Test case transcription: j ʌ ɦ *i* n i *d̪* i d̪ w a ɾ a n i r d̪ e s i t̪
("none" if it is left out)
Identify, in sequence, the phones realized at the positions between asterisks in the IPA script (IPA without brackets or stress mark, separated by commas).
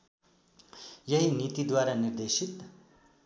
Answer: i, t̪